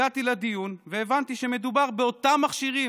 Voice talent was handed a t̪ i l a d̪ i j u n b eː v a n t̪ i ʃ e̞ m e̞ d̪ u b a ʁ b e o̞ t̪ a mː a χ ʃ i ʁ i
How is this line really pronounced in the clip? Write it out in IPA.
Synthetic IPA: a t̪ i l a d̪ i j u n v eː v a n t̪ i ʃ e̞ m e̞ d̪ u b a ʁ b e o̞ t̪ a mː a χ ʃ i ʁ i